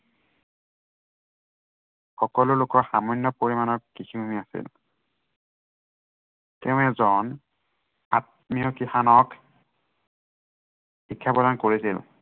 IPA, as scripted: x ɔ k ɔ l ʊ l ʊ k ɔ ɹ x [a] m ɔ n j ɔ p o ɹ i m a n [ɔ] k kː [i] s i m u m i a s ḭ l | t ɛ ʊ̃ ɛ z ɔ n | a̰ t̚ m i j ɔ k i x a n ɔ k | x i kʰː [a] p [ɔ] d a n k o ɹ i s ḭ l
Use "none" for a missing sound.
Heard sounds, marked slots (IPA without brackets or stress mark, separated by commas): a, ɔ, i, a, ɔ